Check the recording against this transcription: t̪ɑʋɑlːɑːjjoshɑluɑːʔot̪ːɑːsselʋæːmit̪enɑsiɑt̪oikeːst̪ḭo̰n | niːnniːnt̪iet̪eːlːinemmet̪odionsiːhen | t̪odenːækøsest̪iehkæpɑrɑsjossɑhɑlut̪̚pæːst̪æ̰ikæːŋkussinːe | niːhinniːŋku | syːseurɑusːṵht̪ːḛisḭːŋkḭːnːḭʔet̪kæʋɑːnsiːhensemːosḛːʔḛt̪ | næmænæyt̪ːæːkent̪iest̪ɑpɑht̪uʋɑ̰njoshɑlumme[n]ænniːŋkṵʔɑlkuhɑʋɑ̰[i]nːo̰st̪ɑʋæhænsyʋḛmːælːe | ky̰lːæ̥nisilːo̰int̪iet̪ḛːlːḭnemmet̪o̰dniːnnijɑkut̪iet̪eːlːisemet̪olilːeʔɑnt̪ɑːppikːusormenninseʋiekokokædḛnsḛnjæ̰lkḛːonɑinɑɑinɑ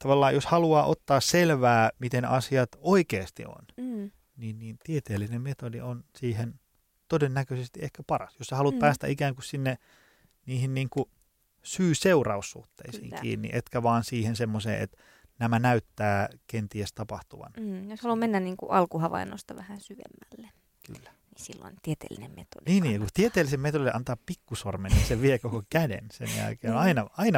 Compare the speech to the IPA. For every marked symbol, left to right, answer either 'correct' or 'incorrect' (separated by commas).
incorrect, correct